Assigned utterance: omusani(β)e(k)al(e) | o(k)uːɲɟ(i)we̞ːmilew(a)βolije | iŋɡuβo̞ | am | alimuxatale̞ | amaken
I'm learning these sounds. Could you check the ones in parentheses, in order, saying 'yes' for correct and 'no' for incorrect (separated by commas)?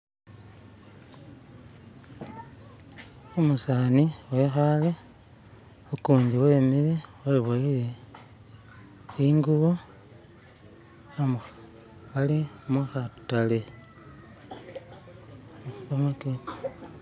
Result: no, no, yes, yes, yes, no